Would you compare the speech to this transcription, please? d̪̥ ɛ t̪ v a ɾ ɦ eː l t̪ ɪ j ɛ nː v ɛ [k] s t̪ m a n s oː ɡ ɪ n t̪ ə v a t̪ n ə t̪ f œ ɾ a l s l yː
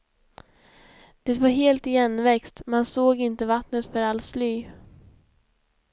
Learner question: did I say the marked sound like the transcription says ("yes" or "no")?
yes